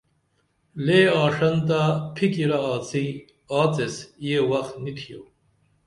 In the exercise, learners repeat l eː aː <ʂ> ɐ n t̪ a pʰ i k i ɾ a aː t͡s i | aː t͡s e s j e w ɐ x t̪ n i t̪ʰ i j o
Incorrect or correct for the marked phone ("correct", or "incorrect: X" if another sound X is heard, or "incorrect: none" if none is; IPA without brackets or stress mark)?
correct